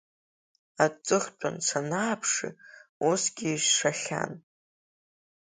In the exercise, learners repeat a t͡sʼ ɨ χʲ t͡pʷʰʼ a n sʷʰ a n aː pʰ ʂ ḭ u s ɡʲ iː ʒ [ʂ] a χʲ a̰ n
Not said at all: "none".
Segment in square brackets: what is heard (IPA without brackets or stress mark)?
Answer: ʂ